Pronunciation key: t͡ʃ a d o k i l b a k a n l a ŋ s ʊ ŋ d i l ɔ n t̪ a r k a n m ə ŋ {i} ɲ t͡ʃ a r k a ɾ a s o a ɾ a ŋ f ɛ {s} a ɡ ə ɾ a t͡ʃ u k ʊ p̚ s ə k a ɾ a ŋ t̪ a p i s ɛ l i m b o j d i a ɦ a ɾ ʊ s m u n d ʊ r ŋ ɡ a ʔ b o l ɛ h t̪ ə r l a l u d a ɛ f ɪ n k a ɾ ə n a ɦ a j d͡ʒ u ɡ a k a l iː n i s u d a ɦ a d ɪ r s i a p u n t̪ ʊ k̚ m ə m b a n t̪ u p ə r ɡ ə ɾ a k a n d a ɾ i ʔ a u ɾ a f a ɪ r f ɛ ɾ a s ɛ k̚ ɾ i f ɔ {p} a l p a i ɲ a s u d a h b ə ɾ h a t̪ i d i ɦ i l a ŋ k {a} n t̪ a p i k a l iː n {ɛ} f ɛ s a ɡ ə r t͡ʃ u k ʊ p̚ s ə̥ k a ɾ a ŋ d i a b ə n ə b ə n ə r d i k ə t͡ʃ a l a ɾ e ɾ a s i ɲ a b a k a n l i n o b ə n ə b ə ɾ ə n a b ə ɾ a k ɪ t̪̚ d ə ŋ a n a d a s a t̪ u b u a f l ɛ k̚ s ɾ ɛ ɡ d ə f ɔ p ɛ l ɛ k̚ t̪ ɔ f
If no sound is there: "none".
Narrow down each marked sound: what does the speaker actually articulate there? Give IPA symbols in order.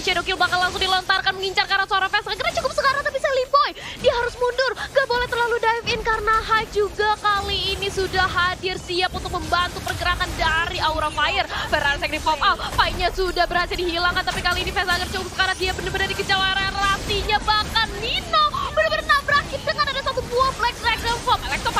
i, s, p, a, i

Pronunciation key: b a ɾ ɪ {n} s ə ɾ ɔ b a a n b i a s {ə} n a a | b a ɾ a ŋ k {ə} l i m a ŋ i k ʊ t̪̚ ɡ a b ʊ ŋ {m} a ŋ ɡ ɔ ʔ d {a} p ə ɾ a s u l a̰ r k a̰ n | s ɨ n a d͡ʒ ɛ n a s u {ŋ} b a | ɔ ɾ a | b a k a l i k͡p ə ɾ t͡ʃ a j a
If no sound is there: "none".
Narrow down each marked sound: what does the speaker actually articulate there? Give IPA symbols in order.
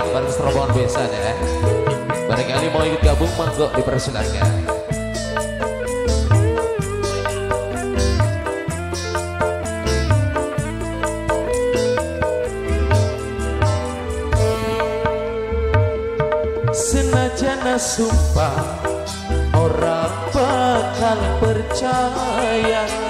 ŋ, a, a, m, i, m

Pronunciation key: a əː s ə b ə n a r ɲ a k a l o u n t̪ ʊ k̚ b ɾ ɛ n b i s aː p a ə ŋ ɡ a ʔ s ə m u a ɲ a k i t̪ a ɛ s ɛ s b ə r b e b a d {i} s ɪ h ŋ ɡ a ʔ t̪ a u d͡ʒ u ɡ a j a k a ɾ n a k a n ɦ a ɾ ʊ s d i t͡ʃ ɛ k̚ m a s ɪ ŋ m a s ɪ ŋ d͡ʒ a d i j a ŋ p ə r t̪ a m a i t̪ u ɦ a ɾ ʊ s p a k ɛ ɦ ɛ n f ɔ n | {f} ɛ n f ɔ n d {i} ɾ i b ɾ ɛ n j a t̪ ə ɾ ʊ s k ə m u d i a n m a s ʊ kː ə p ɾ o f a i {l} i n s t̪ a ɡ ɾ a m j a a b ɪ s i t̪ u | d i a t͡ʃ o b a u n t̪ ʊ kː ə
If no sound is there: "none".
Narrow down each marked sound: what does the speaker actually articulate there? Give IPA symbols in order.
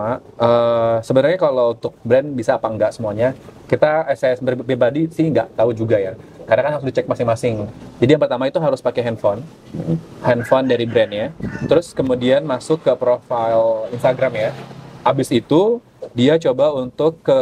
i, h, a, l

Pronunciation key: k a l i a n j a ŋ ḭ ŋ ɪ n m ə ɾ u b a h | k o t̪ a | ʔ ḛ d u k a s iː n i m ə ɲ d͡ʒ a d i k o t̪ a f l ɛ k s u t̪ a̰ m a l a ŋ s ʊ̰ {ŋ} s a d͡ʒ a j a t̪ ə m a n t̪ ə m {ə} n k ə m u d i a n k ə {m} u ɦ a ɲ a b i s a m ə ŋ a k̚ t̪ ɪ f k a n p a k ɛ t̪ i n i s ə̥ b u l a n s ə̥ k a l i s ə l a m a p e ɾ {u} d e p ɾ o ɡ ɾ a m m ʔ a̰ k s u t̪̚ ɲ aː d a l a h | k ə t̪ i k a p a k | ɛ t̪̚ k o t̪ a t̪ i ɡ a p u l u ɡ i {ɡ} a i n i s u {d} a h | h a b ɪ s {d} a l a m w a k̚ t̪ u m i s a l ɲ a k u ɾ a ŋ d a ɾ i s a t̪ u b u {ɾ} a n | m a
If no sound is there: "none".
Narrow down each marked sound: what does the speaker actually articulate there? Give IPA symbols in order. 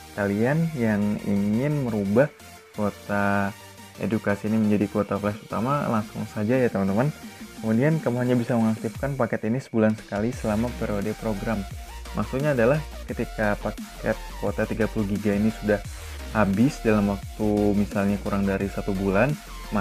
ŋ, a, m, o, ɡ, d, d, l

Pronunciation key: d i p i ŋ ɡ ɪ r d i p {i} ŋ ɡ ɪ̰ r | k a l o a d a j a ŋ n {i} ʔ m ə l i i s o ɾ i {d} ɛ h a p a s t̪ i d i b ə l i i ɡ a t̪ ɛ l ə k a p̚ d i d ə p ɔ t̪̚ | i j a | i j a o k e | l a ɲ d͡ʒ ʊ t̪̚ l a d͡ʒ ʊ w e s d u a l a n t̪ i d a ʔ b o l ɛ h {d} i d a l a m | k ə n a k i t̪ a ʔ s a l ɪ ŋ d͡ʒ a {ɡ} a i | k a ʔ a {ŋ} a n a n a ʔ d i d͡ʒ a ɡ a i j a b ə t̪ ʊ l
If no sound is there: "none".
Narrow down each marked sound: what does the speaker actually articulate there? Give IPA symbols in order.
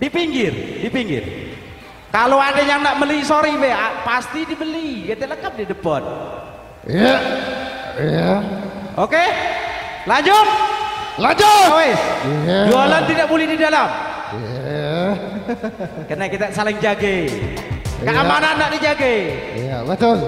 i, a, b, d, ɡ, m

